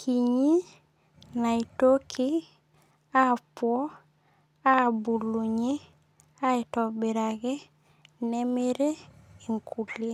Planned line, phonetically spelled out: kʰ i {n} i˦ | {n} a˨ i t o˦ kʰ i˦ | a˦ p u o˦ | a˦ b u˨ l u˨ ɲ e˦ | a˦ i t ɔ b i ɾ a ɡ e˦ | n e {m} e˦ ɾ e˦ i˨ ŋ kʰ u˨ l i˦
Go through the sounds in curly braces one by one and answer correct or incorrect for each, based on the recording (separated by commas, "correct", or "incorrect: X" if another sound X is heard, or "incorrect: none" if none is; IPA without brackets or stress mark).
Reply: incorrect: ɲ, correct, correct